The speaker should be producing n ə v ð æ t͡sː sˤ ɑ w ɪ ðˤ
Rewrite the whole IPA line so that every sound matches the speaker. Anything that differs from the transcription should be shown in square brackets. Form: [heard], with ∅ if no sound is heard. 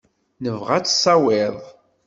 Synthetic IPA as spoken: n ə v [ʁ] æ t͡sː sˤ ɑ w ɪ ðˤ